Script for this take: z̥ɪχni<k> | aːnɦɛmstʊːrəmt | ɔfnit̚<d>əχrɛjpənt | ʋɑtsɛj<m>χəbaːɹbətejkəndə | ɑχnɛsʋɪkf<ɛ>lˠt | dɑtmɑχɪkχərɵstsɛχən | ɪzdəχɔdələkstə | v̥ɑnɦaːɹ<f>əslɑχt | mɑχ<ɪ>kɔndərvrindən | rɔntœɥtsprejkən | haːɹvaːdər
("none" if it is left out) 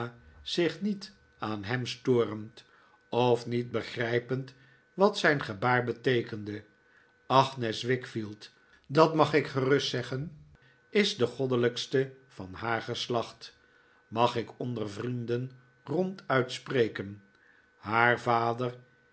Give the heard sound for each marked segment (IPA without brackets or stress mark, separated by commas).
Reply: t, b, n, i, χ, ɪ